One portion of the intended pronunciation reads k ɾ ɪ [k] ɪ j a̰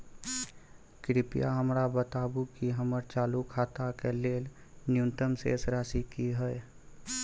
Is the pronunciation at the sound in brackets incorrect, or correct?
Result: incorrect: p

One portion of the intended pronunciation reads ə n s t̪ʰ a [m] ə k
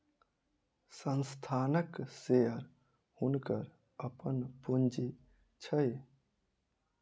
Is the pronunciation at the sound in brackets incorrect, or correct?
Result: incorrect: n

